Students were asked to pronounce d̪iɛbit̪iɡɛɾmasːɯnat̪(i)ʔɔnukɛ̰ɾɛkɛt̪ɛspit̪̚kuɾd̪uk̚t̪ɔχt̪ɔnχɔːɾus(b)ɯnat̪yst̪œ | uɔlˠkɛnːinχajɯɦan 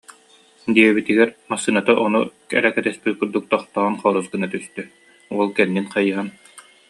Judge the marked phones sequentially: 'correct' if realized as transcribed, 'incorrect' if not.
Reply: incorrect, incorrect

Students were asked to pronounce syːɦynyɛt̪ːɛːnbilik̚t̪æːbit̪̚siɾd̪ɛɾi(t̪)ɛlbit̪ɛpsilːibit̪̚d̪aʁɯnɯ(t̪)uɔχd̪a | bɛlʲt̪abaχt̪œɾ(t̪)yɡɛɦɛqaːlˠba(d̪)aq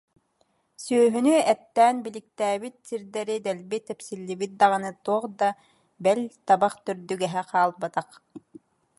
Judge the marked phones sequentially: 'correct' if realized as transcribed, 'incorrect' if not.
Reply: incorrect, correct, incorrect, incorrect

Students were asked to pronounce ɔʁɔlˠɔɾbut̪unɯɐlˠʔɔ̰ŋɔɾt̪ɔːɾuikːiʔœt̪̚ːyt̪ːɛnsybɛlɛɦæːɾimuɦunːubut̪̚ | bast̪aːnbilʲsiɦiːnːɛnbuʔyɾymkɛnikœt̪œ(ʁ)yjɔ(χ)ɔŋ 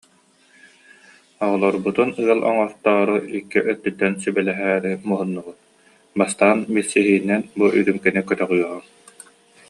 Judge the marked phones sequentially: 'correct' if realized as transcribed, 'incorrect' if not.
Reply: correct, incorrect

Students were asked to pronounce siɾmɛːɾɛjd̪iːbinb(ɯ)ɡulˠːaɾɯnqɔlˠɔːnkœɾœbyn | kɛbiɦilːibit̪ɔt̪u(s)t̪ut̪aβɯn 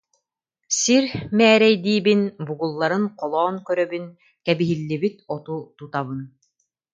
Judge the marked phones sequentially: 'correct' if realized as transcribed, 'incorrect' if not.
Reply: incorrect, incorrect

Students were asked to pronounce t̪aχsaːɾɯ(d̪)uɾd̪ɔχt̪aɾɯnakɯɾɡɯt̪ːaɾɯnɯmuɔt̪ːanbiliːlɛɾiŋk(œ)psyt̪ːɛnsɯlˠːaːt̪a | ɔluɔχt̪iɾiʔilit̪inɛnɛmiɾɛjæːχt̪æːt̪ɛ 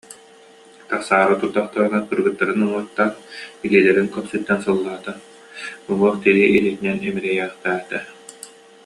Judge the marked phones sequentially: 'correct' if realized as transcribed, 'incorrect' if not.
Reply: incorrect, correct

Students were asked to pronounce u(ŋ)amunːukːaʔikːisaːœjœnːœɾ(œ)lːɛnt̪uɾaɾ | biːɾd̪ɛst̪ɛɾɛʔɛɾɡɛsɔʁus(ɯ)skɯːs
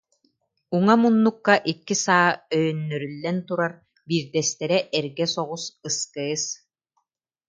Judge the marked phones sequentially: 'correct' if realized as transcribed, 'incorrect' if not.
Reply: correct, incorrect, correct

